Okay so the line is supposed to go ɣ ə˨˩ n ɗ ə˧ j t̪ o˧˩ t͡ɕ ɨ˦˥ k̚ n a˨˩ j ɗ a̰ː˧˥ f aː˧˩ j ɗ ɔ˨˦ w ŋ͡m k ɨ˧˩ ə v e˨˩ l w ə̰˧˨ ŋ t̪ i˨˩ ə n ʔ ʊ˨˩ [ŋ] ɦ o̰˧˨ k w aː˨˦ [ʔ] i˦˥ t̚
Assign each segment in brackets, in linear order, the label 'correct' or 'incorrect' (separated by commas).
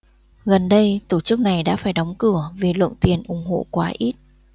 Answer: incorrect, correct